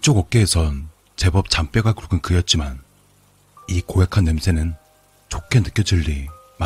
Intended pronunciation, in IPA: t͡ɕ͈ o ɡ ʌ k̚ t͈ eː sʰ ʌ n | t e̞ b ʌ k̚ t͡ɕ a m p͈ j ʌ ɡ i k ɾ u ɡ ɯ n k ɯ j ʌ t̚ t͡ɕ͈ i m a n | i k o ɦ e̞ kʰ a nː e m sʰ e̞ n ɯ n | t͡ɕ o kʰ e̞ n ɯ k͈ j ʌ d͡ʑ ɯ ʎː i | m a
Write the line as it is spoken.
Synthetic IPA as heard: t͡ɕ͈ o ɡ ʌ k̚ k͈ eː sʰ ʌ n | t͡ɕ e̞ b ʌ p̚ t͡ɕ a m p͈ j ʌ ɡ a k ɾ u ɡ ɯ n k ɯ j ʌ t̚ t͡ɕ͈ i m a n | i k o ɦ e̞ kʰ a nː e m sʰ e̞ n ɯ n | t͡ɕ o kʰ e̞ n ɯ k͈ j ʌ d͡ʑ ɯ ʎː i | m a